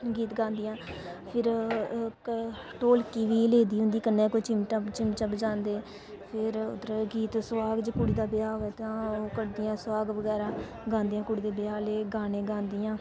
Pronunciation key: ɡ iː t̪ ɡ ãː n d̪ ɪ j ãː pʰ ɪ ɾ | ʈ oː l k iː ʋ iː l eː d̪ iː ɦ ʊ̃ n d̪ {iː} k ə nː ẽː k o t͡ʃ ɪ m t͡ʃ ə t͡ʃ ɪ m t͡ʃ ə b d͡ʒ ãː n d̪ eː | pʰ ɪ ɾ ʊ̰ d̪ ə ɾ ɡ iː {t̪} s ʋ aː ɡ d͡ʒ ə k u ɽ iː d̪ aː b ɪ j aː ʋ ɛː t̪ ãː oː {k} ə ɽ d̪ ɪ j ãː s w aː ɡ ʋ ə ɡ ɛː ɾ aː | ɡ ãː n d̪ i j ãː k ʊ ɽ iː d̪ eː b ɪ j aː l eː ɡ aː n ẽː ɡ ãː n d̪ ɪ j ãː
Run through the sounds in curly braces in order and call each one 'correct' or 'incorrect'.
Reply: correct, correct, correct

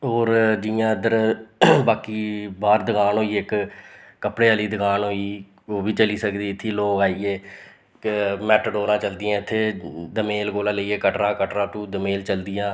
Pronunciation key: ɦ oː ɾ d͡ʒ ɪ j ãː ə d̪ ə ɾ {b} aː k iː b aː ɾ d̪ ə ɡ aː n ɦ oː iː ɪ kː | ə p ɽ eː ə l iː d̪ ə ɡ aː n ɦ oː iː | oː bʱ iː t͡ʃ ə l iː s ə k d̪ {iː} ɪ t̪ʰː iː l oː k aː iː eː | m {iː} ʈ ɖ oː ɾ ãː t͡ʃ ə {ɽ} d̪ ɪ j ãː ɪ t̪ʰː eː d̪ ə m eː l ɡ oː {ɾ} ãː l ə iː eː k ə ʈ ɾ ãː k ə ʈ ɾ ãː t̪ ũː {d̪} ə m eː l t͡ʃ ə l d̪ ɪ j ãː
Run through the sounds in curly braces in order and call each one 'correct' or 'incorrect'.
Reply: correct, correct, incorrect: ɛː, incorrect: l, incorrect: l, correct

